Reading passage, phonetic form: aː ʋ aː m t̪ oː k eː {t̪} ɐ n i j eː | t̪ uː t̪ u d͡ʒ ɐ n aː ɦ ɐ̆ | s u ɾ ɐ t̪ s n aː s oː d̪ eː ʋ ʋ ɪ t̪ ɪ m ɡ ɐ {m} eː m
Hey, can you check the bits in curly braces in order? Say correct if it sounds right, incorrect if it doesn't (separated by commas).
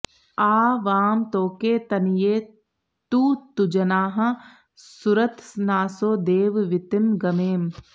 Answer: correct, correct